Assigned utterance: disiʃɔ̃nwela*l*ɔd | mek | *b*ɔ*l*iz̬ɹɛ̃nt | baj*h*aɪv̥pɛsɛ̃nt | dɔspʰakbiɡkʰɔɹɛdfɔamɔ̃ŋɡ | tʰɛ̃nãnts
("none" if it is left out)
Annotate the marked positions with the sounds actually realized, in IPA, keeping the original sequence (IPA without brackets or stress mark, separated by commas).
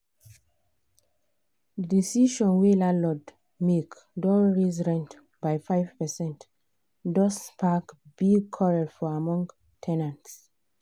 l, d, ɹ, f